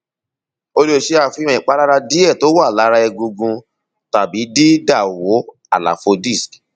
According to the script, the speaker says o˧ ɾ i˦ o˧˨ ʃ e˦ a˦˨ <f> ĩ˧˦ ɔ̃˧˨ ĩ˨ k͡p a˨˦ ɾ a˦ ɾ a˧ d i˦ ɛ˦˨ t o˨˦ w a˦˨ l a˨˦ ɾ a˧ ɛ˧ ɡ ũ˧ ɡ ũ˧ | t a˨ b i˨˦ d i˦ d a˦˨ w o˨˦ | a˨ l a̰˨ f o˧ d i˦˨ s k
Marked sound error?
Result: no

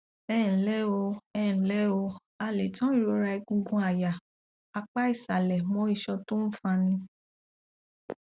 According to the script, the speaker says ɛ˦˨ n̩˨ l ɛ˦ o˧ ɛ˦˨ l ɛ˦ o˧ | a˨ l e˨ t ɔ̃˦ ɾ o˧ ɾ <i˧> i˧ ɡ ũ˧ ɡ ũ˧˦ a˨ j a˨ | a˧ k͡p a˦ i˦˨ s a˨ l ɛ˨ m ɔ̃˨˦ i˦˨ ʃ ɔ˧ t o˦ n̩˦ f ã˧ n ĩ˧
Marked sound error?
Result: yes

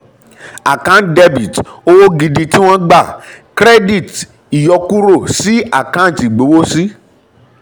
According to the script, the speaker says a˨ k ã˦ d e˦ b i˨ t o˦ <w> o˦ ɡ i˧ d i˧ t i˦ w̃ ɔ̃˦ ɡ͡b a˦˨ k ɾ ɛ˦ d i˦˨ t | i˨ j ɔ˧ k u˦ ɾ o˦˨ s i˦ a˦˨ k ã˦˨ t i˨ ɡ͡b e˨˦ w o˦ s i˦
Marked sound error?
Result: no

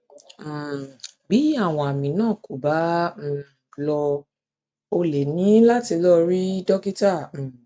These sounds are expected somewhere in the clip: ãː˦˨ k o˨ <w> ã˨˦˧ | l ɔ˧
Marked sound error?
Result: yes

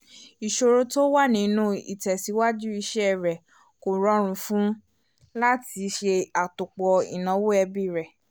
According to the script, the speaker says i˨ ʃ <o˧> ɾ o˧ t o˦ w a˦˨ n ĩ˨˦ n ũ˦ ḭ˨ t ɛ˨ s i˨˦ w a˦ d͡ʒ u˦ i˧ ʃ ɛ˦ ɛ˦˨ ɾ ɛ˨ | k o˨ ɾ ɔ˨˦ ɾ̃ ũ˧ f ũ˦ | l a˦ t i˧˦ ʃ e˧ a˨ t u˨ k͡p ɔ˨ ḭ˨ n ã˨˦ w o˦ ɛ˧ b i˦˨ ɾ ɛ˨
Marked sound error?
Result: no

